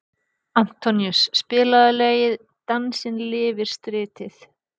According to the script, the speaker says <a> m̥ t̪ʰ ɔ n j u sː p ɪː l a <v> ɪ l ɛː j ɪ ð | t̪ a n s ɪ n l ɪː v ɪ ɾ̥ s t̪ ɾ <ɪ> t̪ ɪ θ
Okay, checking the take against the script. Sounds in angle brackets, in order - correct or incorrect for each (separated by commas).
correct, incorrect, incorrect